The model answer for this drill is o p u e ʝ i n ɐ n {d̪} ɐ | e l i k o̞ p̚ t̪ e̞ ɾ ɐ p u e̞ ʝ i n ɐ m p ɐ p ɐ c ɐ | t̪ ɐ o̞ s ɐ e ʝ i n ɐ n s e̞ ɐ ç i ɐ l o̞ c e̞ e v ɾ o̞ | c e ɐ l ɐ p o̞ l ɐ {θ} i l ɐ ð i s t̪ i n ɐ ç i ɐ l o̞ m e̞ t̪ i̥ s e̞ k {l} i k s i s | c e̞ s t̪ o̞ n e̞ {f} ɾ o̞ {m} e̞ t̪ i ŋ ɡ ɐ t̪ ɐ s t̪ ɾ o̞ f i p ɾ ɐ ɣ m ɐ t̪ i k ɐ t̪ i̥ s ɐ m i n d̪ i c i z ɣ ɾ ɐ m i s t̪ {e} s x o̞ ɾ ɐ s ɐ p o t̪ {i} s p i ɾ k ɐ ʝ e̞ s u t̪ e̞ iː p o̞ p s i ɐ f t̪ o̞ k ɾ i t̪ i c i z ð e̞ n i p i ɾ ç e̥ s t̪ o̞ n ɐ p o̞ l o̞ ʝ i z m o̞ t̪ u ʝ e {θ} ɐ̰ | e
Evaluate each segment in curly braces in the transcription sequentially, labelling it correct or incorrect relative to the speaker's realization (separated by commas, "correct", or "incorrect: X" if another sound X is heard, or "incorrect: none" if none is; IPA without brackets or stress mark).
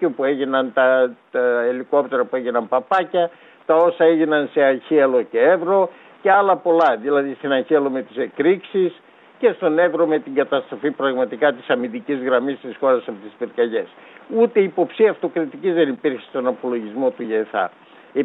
incorrect: t̪, incorrect: ð, incorrect: ɾ, incorrect: v, correct, incorrect: i, correct, correct